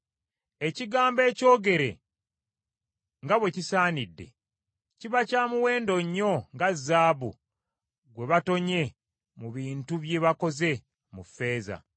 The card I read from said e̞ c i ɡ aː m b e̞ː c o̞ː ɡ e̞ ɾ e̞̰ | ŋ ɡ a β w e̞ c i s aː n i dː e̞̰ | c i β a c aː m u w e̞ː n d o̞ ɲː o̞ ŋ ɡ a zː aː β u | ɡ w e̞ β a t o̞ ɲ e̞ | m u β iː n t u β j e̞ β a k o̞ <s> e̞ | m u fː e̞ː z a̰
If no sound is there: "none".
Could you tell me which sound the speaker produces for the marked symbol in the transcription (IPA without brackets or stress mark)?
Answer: z